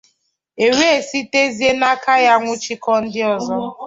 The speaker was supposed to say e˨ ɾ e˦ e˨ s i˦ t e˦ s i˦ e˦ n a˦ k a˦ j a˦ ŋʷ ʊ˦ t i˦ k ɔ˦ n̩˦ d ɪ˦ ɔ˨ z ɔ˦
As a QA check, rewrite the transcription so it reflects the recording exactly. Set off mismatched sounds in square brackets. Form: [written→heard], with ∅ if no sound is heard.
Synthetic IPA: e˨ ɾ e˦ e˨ s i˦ t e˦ [s→z] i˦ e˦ n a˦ k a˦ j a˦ ŋʷ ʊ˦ [t→t͡ʃ] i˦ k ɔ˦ n̩˦ d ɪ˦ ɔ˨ z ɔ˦